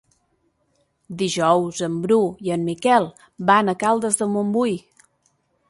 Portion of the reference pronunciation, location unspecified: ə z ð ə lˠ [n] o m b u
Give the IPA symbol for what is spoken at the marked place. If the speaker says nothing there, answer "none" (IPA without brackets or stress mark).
m